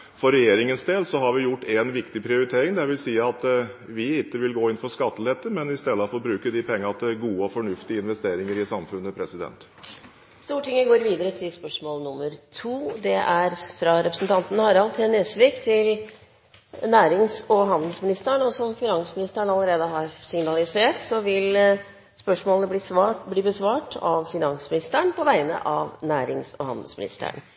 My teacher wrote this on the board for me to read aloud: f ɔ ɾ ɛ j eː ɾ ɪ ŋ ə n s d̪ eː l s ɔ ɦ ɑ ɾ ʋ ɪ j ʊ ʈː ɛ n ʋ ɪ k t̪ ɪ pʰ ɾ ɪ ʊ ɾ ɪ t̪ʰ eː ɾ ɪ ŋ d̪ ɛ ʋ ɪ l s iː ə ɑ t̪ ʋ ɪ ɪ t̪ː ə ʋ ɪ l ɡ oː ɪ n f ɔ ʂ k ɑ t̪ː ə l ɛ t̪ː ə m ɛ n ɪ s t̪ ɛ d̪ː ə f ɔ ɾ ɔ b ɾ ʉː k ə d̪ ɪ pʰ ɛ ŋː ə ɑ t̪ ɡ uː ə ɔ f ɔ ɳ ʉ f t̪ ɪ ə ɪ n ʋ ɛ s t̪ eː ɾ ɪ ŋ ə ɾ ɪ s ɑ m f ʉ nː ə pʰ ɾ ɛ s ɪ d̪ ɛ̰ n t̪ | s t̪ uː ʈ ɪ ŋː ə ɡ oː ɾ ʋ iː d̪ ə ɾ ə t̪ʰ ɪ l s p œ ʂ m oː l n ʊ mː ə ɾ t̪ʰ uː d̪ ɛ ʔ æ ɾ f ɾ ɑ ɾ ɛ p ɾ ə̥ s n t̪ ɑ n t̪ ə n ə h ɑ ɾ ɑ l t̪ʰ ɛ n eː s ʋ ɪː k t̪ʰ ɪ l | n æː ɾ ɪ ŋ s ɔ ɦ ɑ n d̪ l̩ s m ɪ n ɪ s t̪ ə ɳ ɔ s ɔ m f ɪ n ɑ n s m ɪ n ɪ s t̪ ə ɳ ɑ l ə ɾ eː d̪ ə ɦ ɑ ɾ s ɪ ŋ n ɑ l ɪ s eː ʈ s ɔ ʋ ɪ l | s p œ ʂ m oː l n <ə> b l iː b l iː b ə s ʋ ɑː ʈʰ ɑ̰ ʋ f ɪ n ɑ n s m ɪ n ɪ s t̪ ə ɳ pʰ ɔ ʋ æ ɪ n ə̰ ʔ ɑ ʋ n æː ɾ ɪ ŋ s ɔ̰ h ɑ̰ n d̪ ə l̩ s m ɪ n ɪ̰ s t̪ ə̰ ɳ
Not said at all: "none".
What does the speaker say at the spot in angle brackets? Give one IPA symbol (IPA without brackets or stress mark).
ə